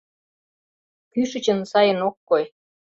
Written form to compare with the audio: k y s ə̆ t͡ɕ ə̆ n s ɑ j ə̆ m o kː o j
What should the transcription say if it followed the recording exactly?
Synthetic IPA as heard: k y ʃ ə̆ t͡ɕ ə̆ n s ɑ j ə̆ n o kː o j

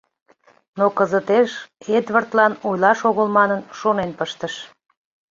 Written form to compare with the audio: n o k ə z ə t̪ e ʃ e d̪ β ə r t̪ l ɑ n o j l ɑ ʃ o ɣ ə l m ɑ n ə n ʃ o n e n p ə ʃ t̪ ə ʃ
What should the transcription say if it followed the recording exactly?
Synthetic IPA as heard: n o k ə z ə t̪ e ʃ e d̪ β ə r t̪ l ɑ n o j l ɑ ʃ o ɣ ə l m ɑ n ə n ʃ o n e n p ə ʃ t̪ ə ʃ

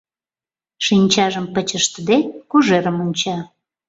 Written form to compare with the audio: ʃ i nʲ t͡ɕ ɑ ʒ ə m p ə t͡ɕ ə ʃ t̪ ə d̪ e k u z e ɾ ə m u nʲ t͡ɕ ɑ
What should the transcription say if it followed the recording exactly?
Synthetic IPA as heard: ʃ i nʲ t͡ɕ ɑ ʒ ə m p ə t͡ɕ ə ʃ t̪ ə d̪ e k u ʒ e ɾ ə m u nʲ t͡ɕ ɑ

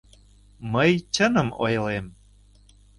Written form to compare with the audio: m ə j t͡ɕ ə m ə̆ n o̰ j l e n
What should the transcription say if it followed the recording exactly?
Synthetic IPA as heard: m ə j t͡ɕ ə n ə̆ m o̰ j l e m

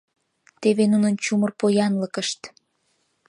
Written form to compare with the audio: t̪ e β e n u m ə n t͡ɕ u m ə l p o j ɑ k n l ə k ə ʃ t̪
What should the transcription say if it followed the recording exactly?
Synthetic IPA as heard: t̪ e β e n u n ə n t͡ɕ u m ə r p o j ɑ n l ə k ə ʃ t̪

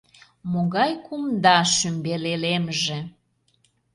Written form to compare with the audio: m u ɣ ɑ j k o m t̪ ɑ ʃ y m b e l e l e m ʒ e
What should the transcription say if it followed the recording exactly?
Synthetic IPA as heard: m o ɣ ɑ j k u m d̪ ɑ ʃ y m b e l e l e m ʒ e

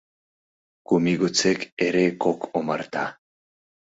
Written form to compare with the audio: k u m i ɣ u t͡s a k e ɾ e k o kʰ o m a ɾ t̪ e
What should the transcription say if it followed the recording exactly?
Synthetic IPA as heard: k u m i ɣ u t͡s e k e ɾ e k o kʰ o m a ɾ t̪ a

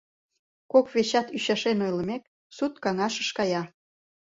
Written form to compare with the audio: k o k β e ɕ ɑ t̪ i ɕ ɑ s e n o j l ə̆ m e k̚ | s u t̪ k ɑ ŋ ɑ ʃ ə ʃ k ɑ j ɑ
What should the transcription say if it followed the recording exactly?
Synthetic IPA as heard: k o k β e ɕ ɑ t̪ y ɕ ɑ ʃ e n o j l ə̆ m e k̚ | s u t̪ k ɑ ŋ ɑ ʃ ə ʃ k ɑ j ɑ

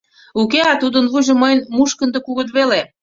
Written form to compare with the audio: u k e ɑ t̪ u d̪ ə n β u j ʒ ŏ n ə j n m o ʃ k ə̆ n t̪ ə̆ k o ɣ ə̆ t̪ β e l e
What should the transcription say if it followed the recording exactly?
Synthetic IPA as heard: u k e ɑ t̪ u d̪ ə n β u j ʒ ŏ m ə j n m u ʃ k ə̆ n d̪ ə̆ k u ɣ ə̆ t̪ β e l e

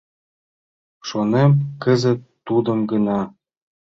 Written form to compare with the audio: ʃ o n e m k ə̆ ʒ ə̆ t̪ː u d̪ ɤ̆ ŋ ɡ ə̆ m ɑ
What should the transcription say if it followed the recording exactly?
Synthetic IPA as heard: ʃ o n e m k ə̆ z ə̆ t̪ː u d̪ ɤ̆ m ɡ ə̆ n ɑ

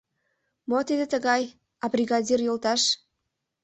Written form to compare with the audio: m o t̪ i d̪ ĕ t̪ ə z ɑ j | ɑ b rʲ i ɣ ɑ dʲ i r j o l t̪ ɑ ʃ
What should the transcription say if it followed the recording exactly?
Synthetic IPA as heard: m o t̪ i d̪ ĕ t̪ ə ɣ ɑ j | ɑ b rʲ i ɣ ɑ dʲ i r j o l t̪ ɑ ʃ

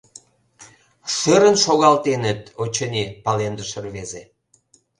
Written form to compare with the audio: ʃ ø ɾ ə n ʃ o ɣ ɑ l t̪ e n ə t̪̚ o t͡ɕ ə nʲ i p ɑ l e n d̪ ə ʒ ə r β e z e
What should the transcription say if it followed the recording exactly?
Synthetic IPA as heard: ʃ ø ɾ ə n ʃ o ɣ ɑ l t̪ e n ə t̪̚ o t͡ɕ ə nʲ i p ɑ l e n d̪ ə ʃ ə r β e z e

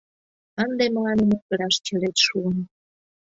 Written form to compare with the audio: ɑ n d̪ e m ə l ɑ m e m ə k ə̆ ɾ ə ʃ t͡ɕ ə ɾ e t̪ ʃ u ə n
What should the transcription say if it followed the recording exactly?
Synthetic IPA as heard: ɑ n d̪ e m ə l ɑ n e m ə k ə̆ ɾ ɑ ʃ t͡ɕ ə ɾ e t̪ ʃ u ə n

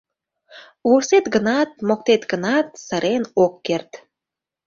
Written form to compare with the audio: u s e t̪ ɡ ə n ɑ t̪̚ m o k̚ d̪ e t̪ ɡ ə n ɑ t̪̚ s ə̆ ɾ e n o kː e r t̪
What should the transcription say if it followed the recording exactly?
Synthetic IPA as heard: u s e t̪ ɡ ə n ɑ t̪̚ m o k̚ t̪ e t̪ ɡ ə n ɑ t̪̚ s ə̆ ɾ e n o kː e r t̪

